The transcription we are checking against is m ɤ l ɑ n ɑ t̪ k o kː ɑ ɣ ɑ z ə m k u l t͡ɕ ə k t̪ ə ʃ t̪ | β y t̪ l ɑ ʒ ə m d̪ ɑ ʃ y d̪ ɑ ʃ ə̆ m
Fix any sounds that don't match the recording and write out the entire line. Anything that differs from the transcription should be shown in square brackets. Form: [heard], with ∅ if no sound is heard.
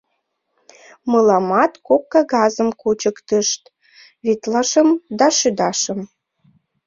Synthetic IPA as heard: m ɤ l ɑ [m] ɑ t̪ k o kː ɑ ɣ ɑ z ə m k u [∅] t͡ɕ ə k t̪ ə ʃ t̪ | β [i] t̪ l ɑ [ʃ] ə m d̪ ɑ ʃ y d̪ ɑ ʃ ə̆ m